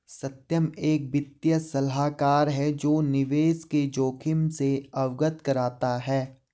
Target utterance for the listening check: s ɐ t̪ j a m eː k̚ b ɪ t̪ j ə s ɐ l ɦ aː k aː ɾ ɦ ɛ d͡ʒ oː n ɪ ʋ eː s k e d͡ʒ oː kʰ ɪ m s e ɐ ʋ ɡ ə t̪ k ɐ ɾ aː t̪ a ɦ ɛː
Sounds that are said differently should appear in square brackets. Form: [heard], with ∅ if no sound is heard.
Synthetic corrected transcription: s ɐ t̪ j [ə] m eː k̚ b ɪ t̪ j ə s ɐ l ɦ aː k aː ɾ ɦ ɛ d͡ʒ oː n ɪ ʋ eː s k e d͡ʒ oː kʰ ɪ m s e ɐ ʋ ɡ ə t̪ k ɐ ɾ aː t̪ a ɦ ɛː